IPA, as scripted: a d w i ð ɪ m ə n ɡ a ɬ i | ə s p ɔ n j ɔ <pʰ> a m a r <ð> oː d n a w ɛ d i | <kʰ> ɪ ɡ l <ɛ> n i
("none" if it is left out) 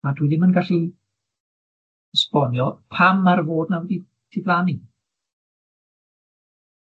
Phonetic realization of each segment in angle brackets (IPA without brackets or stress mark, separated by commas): pʰ, v, tʰ, a